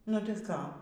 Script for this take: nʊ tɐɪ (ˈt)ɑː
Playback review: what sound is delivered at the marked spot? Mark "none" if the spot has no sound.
k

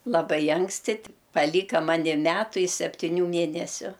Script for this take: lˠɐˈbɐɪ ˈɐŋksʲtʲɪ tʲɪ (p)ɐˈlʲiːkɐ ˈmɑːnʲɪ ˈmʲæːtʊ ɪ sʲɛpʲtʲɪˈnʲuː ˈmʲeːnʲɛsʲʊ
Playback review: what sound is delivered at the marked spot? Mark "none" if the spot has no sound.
p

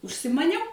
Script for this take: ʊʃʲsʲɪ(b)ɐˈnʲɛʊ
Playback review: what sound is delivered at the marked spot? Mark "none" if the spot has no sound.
m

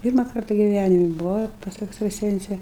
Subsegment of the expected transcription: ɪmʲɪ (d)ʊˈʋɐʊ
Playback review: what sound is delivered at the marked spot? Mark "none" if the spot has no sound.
b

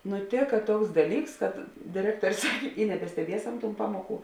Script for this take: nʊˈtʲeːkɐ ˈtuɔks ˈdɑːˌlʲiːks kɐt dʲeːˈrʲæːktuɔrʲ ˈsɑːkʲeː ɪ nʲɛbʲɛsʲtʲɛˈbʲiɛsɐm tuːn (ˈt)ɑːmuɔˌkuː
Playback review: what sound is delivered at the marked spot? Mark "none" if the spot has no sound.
p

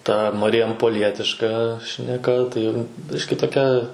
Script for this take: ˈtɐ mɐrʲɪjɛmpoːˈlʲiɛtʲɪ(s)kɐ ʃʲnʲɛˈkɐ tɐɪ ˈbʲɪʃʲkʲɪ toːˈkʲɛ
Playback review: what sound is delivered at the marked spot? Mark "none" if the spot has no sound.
ʃ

